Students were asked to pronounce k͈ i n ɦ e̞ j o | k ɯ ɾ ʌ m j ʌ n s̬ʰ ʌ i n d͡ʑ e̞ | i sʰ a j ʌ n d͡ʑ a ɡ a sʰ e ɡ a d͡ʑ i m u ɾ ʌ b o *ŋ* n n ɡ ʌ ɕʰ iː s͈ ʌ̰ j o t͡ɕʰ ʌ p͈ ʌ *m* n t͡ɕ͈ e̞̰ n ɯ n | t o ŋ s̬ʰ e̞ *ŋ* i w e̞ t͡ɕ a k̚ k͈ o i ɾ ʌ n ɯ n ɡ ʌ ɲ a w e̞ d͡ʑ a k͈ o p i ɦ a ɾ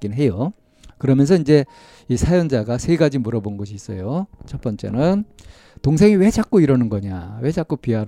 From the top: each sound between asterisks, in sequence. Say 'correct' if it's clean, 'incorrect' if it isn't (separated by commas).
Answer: incorrect, incorrect, correct